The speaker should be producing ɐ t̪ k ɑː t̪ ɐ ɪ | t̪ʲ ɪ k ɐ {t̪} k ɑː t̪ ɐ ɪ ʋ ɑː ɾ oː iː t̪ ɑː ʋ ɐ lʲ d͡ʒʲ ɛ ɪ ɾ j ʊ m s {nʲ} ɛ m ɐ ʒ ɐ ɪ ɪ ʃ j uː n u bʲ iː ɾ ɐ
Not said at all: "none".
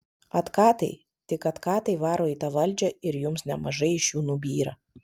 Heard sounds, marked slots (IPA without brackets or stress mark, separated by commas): t̪, nʲ